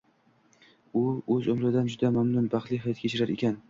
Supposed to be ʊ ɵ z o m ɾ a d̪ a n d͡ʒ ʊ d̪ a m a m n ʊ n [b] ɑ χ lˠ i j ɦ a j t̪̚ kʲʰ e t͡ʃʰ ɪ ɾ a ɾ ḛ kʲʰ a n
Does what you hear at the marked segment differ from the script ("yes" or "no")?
no